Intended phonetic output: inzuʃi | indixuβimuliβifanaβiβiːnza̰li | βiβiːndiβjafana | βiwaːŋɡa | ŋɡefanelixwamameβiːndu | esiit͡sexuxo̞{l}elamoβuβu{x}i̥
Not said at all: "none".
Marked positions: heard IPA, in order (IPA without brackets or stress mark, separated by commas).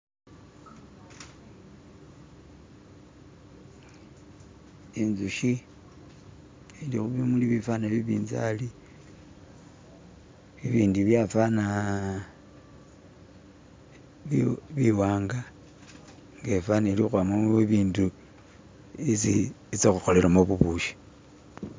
l, ʃ